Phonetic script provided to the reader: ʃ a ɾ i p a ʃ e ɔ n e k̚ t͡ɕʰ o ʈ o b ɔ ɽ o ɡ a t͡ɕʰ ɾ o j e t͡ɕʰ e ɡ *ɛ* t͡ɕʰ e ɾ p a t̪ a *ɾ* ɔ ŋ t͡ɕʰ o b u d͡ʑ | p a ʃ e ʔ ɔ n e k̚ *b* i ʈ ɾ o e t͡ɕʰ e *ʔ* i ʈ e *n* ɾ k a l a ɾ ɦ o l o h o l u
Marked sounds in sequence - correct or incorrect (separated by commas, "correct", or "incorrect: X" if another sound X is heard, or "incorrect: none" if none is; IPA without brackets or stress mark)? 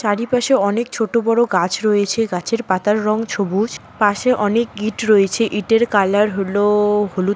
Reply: incorrect: a, incorrect: ɾː, incorrect: ɡ, correct, incorrect: none